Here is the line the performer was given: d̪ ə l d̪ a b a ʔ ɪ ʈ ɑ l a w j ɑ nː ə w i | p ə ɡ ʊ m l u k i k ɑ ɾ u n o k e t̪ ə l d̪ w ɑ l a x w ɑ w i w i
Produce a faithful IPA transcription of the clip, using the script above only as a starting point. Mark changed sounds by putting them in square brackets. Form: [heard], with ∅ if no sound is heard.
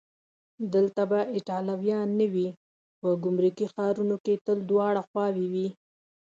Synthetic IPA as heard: d̪ ə l [t̪] a b a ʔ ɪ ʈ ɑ l a w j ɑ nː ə w i | p ə ɡ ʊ m [ɾ] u k i [x] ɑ ɾ u n o k e t̪ ə l d̪ w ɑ [ɽ] a x w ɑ w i w i